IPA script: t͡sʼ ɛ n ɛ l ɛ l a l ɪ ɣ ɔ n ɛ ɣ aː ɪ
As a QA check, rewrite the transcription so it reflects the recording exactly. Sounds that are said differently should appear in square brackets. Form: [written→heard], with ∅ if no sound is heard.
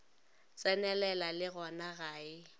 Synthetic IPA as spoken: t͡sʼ ɛ n ɛ l ɛ l a l ɪ ɣ ɔ n [ɛ→a] ɣ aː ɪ